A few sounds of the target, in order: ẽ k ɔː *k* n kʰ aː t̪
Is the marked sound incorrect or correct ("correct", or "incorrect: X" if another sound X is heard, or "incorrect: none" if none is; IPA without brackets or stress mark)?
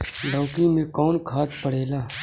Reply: incorrect: none